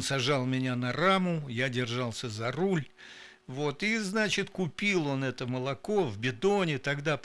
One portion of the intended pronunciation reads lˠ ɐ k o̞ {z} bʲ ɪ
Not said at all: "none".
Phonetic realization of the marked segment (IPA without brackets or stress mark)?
v